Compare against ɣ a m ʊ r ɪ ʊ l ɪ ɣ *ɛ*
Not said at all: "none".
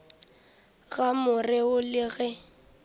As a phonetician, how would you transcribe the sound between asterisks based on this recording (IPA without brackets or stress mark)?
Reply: ɛ